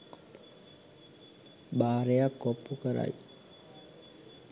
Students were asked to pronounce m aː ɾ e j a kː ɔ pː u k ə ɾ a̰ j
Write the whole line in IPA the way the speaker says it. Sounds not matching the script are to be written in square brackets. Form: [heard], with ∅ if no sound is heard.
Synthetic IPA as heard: [b] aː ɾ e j a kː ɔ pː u k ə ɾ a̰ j